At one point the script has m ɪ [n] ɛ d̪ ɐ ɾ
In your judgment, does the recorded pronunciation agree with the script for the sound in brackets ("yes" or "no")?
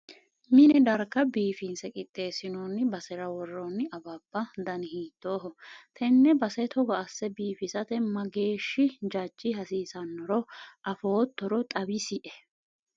yes